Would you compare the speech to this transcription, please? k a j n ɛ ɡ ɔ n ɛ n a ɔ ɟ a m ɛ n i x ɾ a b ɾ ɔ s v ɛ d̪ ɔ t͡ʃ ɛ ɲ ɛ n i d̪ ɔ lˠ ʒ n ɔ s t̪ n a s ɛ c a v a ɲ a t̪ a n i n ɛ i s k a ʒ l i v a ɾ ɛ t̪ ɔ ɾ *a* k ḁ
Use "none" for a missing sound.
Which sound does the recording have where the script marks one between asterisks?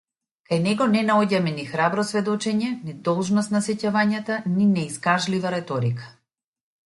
i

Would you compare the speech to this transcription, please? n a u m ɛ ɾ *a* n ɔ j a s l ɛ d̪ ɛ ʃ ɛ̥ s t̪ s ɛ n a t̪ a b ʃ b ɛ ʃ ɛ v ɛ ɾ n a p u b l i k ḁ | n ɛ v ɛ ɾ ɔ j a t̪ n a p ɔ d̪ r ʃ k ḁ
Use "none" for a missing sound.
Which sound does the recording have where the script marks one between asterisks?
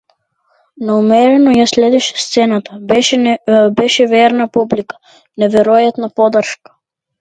ɛ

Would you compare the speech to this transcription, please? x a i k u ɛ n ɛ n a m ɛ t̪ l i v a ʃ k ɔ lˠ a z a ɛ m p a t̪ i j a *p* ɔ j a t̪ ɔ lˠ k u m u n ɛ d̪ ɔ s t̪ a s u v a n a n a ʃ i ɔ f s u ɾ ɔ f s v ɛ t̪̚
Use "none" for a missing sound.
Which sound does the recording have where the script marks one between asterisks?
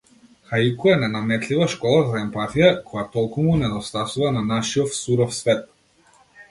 k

